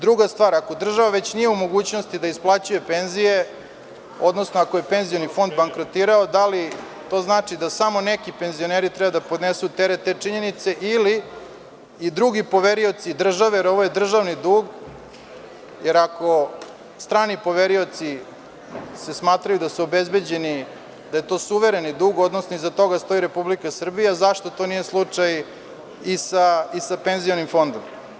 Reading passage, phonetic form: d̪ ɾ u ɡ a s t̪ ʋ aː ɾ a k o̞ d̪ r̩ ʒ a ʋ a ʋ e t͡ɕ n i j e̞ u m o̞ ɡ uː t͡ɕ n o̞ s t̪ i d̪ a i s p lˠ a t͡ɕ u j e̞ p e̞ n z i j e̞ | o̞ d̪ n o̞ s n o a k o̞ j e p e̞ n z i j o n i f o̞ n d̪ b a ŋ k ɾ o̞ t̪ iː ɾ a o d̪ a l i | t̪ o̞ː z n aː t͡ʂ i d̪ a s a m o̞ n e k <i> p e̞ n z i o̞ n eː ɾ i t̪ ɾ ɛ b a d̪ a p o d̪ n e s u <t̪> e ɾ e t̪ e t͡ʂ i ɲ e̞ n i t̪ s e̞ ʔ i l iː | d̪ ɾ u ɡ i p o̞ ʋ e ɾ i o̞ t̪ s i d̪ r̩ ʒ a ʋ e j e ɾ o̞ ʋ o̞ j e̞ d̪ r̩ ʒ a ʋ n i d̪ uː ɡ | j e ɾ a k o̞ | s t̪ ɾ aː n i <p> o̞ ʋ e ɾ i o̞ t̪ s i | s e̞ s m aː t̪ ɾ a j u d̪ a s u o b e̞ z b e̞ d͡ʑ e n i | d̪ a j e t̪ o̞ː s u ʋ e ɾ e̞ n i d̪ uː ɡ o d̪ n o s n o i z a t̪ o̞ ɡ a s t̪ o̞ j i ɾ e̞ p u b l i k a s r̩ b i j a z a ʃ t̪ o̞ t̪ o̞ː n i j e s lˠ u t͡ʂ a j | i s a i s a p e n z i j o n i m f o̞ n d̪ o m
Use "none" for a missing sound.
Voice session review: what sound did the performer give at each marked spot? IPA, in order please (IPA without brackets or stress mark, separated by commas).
i, t̪, p